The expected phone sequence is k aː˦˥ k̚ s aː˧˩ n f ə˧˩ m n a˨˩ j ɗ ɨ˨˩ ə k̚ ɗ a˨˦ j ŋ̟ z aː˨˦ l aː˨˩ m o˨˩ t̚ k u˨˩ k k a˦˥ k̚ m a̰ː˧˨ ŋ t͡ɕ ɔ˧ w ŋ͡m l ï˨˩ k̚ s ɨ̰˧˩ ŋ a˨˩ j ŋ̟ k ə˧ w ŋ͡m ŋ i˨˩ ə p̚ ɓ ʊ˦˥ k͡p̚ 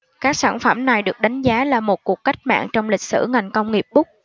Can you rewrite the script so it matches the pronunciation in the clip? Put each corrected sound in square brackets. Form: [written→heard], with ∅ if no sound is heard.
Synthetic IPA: k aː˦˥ k̚ s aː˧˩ n f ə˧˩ m n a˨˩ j ɗ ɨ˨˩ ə k̚ ɗ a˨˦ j ŋ̟ z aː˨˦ l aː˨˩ m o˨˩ t̚ k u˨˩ k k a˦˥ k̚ m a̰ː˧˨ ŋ t͡ɕ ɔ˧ w ŋ͡m l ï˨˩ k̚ s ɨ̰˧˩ ŋ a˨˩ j ŋ̟ k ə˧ w ŋ͡m ŋ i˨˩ ə p̚ ɓ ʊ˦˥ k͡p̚